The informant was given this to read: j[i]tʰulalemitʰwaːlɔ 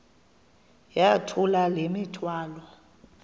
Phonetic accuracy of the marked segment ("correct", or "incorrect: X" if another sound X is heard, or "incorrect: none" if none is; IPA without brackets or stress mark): incorrect: a